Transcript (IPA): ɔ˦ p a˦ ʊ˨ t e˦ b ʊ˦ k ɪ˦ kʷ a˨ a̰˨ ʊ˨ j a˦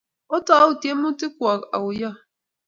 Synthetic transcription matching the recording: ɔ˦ t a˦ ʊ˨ t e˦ m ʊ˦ t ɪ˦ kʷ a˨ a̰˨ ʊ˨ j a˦